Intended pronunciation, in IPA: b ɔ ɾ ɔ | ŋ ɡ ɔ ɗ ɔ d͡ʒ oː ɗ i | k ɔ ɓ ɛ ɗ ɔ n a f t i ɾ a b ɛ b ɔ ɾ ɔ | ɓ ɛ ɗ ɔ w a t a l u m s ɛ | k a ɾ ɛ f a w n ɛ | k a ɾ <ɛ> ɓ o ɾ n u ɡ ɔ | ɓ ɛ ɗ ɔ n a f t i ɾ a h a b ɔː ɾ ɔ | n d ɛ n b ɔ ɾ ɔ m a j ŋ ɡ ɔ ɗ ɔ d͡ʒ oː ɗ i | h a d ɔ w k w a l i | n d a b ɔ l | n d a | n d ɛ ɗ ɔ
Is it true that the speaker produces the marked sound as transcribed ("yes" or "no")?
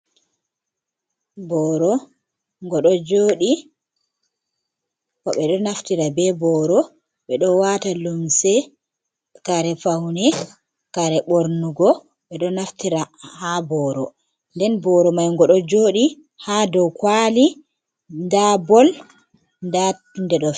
yes